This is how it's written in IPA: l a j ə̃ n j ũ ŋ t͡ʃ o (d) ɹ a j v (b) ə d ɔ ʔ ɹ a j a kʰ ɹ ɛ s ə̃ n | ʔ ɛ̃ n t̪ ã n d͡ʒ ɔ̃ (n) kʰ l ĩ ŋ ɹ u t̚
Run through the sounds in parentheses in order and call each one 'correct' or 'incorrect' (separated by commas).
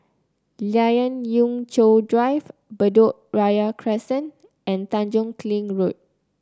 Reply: correct, correct, incorrect